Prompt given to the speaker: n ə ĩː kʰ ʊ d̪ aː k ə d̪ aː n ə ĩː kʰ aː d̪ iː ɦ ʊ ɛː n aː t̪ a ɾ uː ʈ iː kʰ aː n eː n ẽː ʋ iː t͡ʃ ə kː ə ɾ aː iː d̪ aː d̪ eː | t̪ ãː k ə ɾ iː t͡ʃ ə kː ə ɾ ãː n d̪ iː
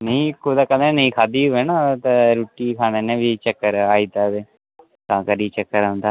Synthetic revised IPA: n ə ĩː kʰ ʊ d̪ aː k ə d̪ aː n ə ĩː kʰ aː d̪ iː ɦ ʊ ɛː n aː t̪ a ɾ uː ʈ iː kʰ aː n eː n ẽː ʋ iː t͡ʃ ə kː ə ɾ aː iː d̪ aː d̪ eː | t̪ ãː k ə ɾ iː t͡ʃ ə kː ə ɾ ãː n d̪ aː